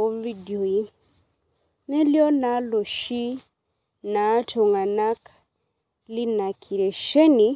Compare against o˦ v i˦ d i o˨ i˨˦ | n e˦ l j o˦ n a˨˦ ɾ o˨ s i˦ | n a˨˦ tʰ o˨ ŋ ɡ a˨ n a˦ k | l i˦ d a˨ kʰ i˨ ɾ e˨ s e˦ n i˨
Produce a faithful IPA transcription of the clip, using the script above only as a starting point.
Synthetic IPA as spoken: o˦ v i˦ d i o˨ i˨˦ | n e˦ l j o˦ n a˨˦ l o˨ ʃ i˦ | n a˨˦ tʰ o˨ ŋ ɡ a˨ n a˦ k | l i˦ n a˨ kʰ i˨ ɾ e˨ ʃ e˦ n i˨